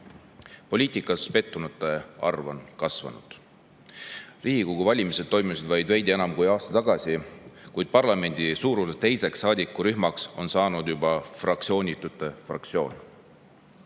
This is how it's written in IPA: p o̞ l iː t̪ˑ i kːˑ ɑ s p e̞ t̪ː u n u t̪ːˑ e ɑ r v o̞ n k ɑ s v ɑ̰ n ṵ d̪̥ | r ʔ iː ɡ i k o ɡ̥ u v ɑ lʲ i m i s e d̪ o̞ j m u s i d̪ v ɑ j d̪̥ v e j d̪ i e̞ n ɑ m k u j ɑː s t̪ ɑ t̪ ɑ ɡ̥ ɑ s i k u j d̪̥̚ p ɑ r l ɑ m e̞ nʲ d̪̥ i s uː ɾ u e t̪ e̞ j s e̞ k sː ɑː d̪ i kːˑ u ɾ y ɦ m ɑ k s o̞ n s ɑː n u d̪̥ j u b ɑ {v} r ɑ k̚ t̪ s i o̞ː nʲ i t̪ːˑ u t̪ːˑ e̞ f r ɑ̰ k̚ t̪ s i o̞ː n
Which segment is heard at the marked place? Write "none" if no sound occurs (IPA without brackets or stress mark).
f